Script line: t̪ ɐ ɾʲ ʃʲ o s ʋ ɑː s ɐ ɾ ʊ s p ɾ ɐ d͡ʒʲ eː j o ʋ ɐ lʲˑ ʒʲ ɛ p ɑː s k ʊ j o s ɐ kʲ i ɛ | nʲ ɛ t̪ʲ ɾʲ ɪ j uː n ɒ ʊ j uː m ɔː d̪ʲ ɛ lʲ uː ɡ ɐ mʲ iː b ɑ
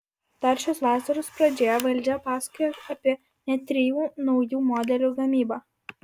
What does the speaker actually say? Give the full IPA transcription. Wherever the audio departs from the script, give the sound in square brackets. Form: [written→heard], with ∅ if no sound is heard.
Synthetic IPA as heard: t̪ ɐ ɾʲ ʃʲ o s ʋ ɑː s ɐ ɾ ʊ s p ɾ ɐ d͡ʒʲ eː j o ʋ ɐ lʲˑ [ʒʲ→d͡ʒʲ] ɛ p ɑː s k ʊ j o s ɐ [kʲ→pʲ] i ɛ | nʲ ɛ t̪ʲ ɾʲ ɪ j uː n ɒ ʊ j uː m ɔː d̪ʲ ɛ lʲ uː ɡ ɐ mʲ iː b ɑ